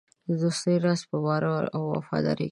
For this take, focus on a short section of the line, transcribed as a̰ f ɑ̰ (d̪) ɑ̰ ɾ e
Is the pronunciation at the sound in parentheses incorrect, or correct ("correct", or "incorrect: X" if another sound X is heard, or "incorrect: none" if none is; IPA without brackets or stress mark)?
correct